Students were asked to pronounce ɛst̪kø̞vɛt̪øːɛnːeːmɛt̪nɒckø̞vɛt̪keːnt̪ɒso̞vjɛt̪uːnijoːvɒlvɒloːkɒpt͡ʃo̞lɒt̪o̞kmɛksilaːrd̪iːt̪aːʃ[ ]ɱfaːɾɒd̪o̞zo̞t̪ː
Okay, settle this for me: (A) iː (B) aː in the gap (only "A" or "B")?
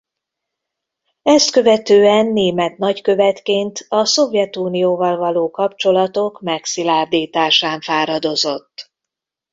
B